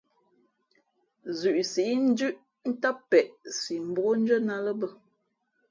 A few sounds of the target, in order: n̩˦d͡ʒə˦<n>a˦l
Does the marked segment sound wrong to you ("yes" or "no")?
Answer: no